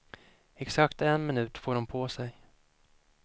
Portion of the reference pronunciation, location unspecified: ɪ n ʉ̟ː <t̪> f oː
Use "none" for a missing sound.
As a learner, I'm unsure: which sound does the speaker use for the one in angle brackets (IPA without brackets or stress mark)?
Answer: t̪